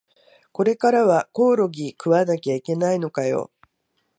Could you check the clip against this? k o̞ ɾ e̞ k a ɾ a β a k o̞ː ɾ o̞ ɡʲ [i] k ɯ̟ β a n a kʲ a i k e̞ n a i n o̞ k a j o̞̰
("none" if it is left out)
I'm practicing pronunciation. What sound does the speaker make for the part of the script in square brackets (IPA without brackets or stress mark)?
i